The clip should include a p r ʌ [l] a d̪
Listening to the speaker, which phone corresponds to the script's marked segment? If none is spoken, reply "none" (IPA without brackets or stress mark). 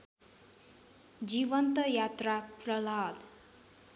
l